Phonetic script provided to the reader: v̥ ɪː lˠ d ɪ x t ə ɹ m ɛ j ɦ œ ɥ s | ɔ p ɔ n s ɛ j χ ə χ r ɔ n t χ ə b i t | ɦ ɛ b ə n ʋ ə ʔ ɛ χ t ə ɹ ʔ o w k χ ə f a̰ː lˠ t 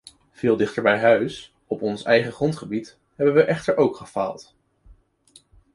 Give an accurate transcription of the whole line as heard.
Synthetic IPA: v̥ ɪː lˠ d ɪ χ t ə ɹ b ɛ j ɦ œ ɥ s | ɔ p ɔ n s ɛ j χ ə χ r ɔ n t χ ə b i t | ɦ ɛ b ə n ʋ ə ʔ ɛ χ t ə ɹ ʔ o w k χ ə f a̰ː lˠ t